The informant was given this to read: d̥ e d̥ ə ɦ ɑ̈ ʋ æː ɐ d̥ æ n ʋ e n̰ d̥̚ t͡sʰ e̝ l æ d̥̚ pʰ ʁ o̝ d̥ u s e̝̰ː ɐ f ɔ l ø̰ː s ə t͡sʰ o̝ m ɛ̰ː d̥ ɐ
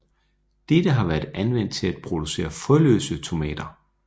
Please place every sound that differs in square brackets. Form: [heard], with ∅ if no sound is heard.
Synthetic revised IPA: d̥ e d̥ ə ɦ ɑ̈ ʋ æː ɐ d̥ æ n ʋ e n̰ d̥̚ t͡sʰ e̝ l æ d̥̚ pʰ ʁ o̝ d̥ u s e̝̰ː ɐ f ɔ l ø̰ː s ə t͡sʰ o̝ m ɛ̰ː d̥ ɐ